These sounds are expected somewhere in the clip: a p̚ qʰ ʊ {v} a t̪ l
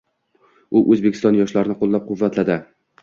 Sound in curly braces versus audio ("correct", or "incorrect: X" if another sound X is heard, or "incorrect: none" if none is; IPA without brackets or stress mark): incorrect: vː